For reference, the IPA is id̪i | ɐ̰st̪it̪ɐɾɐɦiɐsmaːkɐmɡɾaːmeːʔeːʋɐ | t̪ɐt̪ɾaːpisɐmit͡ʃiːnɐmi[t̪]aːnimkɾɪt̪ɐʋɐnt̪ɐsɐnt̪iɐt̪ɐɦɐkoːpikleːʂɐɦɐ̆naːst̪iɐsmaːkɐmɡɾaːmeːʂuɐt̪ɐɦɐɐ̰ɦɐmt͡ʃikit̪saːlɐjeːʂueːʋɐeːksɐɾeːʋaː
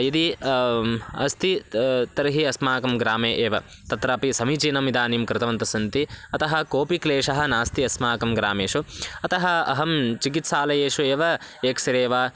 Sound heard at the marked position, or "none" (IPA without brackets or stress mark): d̪